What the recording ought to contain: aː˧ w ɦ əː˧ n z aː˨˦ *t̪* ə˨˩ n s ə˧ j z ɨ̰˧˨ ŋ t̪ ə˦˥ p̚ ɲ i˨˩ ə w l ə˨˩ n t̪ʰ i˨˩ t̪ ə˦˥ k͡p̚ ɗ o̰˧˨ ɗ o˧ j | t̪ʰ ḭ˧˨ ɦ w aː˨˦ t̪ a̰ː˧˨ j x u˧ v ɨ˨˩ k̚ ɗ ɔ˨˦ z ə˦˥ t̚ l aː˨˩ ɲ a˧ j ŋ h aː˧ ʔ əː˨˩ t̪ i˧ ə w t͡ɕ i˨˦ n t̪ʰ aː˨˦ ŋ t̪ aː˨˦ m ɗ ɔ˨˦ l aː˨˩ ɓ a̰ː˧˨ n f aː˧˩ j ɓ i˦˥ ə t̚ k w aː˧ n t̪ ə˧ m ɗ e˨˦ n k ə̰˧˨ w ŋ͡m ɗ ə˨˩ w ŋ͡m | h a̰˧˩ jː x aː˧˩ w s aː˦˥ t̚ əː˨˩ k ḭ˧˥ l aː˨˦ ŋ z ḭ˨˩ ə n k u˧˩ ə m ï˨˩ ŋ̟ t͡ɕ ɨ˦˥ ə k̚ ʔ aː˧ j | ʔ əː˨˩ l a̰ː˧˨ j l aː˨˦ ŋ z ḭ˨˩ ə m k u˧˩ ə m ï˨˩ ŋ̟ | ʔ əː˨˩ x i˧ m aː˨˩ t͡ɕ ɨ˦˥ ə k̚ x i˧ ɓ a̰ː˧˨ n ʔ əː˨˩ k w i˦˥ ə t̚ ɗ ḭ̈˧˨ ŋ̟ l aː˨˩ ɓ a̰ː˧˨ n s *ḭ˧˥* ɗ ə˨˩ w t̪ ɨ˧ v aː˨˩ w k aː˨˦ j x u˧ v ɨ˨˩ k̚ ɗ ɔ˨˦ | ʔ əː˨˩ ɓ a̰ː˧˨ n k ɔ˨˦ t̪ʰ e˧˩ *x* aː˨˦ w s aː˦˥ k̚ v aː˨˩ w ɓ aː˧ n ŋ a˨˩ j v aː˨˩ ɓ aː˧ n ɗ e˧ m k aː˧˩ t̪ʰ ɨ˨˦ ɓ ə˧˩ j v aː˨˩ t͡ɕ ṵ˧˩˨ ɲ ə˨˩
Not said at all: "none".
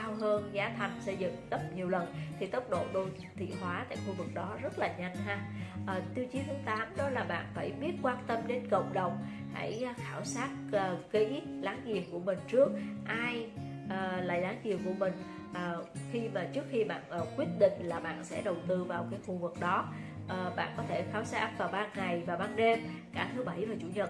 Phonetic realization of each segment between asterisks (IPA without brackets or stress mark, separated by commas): t̪ʰ, ɛ̰˧˥, x